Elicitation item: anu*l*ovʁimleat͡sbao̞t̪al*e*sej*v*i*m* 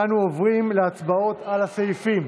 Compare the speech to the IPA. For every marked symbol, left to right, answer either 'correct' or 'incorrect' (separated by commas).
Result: incorrect, incorrect, incorrect, correct